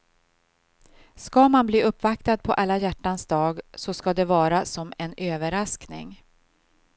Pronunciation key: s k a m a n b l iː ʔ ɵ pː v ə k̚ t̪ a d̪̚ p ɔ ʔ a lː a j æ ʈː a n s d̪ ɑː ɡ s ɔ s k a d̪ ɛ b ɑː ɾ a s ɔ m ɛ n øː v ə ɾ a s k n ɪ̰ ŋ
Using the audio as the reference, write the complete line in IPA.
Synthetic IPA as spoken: s k a m a n b l iː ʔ ɵ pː v a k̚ t̪ a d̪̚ pʰ ɔ ʔ a lː a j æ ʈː a n s d̪ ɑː ɡ s ɔ s k a d̪ ɛ v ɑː ɾ a s ɔ m ɛ n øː v ə ɾ a s k n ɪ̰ ŋ